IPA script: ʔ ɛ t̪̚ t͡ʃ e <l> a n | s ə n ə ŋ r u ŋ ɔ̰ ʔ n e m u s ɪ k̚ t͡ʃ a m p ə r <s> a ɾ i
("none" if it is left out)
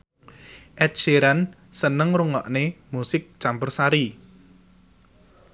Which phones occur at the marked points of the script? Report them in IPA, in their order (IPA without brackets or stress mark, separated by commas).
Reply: ɾ, s